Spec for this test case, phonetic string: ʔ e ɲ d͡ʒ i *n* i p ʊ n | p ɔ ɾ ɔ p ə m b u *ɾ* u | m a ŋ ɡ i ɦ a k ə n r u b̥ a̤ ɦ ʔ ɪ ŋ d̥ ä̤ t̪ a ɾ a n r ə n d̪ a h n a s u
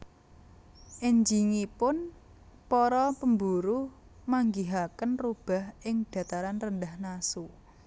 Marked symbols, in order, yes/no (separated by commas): no, yes